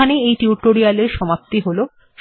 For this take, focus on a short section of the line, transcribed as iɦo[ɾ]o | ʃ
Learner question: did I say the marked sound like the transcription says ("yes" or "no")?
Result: no